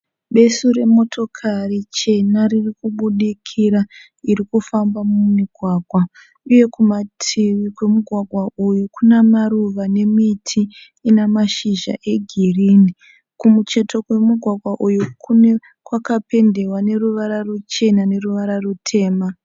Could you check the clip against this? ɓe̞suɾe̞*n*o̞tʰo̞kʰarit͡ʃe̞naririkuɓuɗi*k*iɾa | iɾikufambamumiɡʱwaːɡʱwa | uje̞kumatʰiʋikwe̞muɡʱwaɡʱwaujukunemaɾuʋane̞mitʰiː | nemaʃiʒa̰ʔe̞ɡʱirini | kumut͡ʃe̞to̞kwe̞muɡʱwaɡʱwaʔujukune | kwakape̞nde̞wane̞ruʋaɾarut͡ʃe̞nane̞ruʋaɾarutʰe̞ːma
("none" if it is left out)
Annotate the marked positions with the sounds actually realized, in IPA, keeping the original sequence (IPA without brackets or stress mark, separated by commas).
m, kʰ